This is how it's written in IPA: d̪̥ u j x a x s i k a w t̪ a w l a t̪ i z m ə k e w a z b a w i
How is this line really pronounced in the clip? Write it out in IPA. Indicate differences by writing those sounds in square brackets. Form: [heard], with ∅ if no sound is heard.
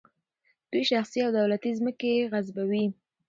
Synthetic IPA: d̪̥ u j [ʃ] a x s i [∅] a w [d̪] a w l a t̪ i z m ə k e [ɣ] a z b a w i